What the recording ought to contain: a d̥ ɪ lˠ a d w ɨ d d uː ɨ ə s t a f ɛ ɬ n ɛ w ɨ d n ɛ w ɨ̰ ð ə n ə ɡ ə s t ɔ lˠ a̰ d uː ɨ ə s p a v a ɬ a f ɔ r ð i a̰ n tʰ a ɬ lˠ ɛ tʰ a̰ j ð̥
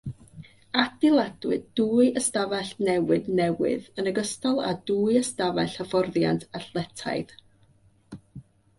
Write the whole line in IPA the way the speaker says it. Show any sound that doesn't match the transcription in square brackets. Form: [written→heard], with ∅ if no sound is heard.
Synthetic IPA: a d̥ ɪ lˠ a d w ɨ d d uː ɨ ə s t a [f→v] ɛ ɬ n ɛ w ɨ d n ɛ w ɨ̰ ð ə n ə ɡ ə s t ɔ lˠ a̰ d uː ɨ ə s [p→t] a v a ɬ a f ɔ r ð [i→j] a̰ n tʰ a ɬ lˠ ɛ tʰ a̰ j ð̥